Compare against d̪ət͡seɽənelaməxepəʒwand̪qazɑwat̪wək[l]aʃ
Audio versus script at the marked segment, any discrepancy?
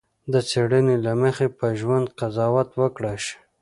yes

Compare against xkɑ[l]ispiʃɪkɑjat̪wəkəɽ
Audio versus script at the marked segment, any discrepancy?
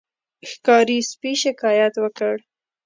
yes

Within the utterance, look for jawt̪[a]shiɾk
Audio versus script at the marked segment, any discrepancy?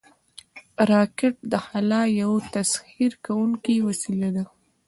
no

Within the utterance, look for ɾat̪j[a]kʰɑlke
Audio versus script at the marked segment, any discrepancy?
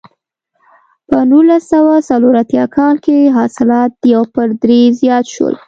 yes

